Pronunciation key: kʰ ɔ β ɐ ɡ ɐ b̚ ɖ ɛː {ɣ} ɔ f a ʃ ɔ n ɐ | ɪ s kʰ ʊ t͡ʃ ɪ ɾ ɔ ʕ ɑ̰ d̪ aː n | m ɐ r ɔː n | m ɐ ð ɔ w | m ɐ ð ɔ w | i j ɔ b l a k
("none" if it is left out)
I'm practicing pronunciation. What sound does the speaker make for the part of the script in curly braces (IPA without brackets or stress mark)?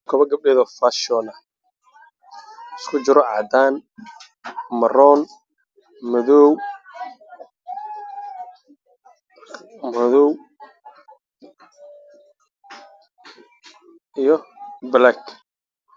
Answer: ð